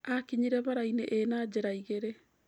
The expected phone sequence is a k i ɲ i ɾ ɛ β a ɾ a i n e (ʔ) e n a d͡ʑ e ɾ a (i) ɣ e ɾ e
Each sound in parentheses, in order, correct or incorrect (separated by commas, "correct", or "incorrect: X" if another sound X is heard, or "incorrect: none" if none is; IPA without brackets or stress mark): correct, correct